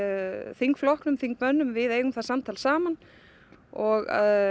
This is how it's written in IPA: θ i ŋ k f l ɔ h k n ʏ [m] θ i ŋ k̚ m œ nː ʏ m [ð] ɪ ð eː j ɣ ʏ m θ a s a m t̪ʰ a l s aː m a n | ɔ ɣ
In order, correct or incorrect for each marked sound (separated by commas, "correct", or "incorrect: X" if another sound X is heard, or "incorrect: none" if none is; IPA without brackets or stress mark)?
correct, incorrect: v